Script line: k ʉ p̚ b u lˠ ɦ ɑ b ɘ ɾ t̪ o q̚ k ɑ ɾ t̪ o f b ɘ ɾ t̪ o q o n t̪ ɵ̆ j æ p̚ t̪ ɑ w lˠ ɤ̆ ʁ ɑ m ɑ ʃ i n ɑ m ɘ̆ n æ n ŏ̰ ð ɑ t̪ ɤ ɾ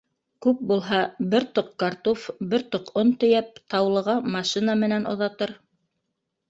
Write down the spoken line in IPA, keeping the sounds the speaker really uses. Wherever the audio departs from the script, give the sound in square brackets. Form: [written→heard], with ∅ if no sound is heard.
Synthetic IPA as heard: k ʉ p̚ b u lˠ ɦ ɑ b ɘ ɾ t̪ o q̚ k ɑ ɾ t̪ o f b ɘ ɾ t̪ o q o n t̪ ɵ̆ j æ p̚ t̪ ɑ w lˠ ɤ̆ ʁ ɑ m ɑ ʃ i n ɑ m ɘ̆ n æ n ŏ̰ ð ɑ t̪ ɤ ɾ